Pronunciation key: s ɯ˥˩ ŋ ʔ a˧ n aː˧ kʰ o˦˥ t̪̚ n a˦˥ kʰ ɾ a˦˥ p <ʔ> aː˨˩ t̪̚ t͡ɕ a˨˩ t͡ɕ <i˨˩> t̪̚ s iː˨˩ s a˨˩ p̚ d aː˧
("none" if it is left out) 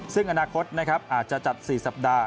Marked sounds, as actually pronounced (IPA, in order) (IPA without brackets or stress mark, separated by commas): ʔ, a˨˩